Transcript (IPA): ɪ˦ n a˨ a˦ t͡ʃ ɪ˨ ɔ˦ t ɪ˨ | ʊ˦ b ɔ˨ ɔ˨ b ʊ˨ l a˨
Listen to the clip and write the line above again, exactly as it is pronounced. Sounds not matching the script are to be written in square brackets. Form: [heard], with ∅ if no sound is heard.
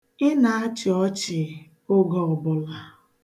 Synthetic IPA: ɪ˦ n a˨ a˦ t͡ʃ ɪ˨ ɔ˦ [t͡ʃ] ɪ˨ | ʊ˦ [ɡ] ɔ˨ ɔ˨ b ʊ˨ l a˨